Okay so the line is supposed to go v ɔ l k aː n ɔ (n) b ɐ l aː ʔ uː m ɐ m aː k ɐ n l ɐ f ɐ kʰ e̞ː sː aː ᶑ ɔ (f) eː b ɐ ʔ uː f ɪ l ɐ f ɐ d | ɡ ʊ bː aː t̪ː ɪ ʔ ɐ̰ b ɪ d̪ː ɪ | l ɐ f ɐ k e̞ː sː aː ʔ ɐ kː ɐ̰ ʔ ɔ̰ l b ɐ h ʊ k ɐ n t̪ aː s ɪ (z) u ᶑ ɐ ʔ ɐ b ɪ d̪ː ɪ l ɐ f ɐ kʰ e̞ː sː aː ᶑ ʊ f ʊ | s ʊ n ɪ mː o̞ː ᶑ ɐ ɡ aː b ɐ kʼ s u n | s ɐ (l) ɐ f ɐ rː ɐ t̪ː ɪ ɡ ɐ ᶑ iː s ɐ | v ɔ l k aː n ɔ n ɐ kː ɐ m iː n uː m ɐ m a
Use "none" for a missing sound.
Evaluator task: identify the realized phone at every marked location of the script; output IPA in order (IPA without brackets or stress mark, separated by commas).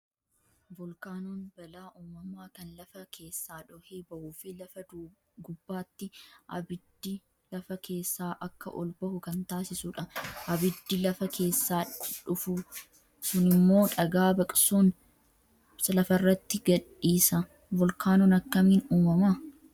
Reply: n, h, s, l